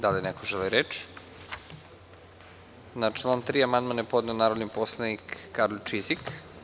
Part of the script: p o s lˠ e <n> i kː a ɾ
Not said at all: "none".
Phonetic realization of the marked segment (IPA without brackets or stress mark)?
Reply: n